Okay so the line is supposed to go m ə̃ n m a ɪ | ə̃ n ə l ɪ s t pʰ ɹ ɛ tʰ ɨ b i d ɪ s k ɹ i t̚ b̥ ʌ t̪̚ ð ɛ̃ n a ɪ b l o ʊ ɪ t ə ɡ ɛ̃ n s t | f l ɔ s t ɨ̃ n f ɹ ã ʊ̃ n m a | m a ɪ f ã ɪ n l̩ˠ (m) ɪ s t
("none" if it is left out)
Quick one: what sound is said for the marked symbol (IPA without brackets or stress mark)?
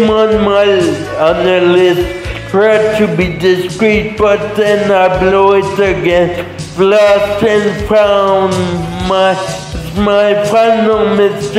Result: m